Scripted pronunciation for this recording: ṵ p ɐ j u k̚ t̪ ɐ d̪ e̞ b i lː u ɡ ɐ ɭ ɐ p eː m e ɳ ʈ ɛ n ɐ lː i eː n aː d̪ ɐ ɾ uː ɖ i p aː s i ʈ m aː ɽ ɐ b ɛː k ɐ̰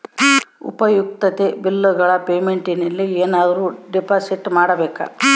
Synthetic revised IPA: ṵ p ɐ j u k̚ t̪ ɐ t̪ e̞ b i lː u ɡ ɐ ɭ ɐ p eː m e ɳ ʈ i n ɐ lː i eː n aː d̪ ɐ ɾ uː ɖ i p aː s i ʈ m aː ɽ ɐ b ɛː k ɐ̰